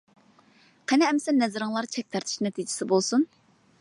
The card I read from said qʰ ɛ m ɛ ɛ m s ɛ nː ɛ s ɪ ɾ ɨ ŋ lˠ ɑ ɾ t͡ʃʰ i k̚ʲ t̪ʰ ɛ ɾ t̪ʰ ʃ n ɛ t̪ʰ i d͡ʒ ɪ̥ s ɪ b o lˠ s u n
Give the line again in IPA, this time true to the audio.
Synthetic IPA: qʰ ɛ n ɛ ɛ m s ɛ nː ɛ z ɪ ɾ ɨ ŋ lˠ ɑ ɾ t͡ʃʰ ɛ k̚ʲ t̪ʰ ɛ ɾ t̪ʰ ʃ n ɛ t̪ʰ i d͡ʒ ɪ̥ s ɪ b o lˠ s u n